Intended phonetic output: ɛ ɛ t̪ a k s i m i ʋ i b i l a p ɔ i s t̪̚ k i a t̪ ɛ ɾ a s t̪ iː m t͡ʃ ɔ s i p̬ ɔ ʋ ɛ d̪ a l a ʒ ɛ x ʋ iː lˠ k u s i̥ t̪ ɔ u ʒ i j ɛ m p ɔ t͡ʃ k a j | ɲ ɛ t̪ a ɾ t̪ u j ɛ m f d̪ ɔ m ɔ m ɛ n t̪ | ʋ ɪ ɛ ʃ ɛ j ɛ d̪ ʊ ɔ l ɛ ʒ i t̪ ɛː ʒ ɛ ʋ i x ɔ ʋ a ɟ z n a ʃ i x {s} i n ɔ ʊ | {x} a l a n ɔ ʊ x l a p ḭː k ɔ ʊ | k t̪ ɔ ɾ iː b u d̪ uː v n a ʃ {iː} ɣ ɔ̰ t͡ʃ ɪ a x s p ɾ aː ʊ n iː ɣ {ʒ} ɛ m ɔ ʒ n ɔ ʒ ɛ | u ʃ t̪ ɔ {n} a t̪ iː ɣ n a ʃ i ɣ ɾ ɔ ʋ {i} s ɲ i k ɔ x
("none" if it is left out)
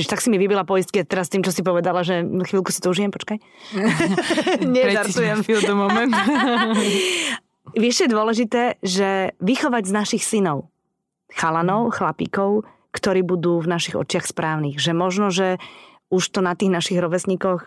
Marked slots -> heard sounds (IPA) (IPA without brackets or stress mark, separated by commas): s, x, i, ʒ, n, ɛ